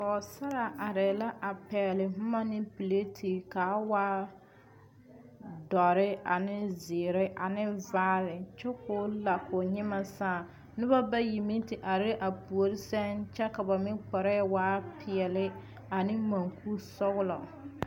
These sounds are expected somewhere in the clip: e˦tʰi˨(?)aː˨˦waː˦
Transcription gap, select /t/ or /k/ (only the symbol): k